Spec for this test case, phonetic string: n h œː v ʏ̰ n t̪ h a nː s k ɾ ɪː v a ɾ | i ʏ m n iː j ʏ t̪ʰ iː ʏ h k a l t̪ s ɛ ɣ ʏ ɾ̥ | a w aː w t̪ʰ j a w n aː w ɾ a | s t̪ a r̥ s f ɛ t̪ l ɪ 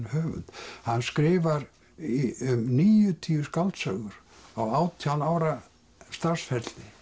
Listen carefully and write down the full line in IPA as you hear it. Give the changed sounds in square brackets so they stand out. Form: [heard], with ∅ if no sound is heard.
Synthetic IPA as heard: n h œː v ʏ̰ n t̪ h a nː s k ɾ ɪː v a ɾ | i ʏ m n iː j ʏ t̪ʰ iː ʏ [s] k a l t̪ s [œ] ɣ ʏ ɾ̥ | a w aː w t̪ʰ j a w n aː w ɾ a | s t̪ a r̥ s f ɛ t̪ l ɪ

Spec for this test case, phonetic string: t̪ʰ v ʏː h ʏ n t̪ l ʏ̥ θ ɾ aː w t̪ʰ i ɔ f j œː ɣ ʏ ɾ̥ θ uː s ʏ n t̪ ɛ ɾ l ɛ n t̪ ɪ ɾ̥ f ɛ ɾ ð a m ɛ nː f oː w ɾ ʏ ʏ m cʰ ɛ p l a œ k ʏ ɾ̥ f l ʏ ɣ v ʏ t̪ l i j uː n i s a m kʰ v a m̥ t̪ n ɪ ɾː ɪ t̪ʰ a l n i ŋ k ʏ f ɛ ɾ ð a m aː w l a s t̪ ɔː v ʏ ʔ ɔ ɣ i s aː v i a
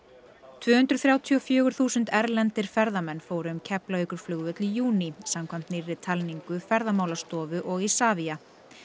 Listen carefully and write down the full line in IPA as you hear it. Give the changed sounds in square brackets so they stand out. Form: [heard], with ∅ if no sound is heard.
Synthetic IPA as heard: t̪ʰ v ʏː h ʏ n t̪ [ɾ] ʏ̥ θ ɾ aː w t̪ʰ i ɔ f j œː ɣ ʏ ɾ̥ θ uː s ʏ n t̪ ɛ ɾ l ɛ n t̪ ɪ ɾ̥ f ɛ ɾ ð a m ɛ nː f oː w ɾ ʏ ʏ m cʰ ɛ p l a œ k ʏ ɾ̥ f l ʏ ɣ v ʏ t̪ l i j uː n i s a m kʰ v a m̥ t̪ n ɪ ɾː ɪ t̪ʰ a l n i ŋ k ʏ f ɛ ɾ ð a m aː w l a s t̪ ɔː v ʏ ʔ ɔ ɣ i s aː v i a

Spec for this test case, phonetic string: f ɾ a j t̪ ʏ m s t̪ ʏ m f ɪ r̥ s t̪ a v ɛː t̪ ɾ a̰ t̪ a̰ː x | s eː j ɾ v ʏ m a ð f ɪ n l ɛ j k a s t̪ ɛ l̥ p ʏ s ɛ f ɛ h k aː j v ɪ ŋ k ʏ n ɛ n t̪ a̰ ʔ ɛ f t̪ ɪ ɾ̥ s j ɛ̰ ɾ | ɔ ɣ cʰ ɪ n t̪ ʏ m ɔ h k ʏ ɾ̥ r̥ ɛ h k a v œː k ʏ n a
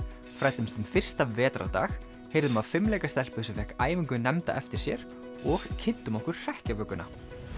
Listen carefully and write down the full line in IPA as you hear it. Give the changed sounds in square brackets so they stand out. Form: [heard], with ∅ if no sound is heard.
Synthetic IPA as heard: f ɾ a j t̪ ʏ m s t̪ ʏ m f ɪ r̥ s t̪ a v ɛː t̪ ɾ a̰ t̪ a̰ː x | [h] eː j ɾ [ð] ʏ m a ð f ɪ [m] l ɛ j k a s t̪ ɛ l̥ p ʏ s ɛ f ɛ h k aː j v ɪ ŋ k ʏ n ɛ [m] t̪ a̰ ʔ ɛ f t̪ ɪ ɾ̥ s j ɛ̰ ɾ | ɔ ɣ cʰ ɪ n t̪ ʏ m ɔ h k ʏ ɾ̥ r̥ ɛ h [c] a v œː k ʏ n a

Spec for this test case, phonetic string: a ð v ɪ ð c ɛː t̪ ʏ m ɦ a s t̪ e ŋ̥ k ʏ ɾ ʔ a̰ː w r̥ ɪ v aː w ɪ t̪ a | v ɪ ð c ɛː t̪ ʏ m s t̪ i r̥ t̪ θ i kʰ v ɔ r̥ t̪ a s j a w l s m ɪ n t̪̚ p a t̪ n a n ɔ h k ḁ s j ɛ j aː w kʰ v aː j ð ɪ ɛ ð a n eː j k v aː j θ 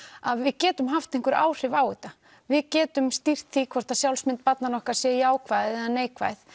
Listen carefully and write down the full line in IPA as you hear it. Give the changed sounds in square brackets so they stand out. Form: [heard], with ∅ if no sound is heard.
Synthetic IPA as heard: a ð v ɪ ð c ɛː t̪ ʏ m ɦ a [f] t̪ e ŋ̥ k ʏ ɾ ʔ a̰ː w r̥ ɪ v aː w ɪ t̪ a | v ɪ ð c ɛː t̪ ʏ m s t̪ i r̥ t̪ θ i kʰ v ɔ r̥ t̪ a s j a w l s m ɪ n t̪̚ p a t̪ n a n ɔ h k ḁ s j ɛ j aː w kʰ v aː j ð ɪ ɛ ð a n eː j k v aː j θ

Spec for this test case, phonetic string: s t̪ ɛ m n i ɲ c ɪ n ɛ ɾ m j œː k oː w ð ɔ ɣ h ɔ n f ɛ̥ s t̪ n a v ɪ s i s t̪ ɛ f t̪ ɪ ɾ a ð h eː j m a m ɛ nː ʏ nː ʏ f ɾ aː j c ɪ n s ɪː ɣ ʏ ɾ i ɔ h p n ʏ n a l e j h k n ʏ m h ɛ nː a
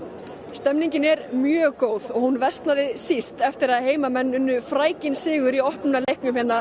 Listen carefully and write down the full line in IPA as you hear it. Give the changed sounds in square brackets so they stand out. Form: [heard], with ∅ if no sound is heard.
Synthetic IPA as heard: s t̪ ɛ m n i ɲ c ɪ n ɛ ɾ m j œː k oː w ð ɔ ɣ h [u] n [v] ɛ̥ s t̪ n a [ð] ɪ s i s t̪ ɛ f t̪ ɪ ɾ a ð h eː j m a m ɛ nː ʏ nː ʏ f ɾ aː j c ɪ n s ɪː ɣ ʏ ɾ i ɔ h p n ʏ n a l e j h k n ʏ m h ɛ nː a

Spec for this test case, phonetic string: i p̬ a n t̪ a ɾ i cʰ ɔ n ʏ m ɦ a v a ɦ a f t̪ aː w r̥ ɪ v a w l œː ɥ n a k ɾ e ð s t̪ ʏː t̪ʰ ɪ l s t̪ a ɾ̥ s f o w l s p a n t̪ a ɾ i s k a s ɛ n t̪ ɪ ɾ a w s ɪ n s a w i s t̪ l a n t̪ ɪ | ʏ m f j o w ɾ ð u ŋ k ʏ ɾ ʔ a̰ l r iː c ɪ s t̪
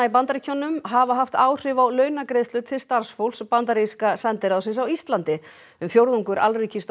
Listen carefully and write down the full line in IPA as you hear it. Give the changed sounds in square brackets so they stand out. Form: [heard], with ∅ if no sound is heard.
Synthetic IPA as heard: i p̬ a n t̪ a ɾ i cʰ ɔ n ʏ m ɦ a v a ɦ a f t̪ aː w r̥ ɪ v a w l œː ɥ n a k ɾ e ð s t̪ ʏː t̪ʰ ɪ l s t̪ a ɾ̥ s f o w l s p a n t̪ a ɾ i s k a s ɛ n t̪ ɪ ɾ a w s ɪ n s a w i s t̪ l a n t̪ ɪ | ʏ m f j o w ɾ ð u ŋ k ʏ ɾ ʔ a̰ l r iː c ɪ s t̪

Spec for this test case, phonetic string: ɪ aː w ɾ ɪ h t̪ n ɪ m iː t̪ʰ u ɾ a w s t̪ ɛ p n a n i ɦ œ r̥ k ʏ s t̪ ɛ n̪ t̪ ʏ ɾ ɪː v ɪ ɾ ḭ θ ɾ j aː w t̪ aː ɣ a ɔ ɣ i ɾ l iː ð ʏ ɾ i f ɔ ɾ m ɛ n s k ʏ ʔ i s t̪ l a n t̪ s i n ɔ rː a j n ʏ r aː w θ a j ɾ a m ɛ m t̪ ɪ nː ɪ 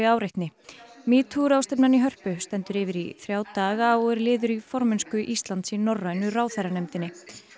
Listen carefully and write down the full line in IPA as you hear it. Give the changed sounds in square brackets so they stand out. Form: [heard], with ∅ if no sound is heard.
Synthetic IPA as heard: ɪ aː w ɾ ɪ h t̪ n ɪ m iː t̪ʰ u ɾ a w s t̪ ɛ p n a n i ɦ œ r̥ [p] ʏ s t̪ ɛ n̪ t̪ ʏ ɾ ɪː v ɪ ɾ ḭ θ ɾ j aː w t̪ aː ɣ a ɔ ɣ [ɛ] ɾ l [ɪː] ð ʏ ɾ i f ɔ ɾ m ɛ n s k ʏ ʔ i s t̪ l a n t̪ s i n ɔ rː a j n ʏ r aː w θ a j ɾ a [n] ɛ m t̪ ɪ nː ɪ

